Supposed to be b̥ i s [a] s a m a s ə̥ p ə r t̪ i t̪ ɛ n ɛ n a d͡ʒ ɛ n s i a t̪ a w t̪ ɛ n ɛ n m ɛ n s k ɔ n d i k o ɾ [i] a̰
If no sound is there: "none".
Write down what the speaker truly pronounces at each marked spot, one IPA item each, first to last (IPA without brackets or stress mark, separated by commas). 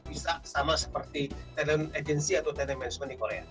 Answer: a, e